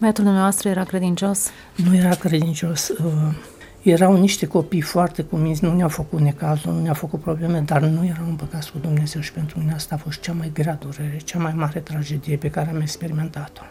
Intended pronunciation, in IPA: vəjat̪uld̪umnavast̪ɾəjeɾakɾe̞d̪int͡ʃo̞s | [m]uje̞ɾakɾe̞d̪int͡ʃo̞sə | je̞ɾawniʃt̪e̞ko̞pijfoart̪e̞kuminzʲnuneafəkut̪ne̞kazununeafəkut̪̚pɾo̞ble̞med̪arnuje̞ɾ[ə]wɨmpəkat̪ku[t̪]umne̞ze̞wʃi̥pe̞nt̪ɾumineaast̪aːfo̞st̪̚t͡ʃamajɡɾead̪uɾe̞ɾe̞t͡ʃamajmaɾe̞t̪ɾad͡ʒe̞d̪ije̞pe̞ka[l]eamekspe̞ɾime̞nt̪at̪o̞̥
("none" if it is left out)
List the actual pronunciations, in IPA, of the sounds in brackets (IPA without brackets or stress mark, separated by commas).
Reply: n, a, d̪, ɾ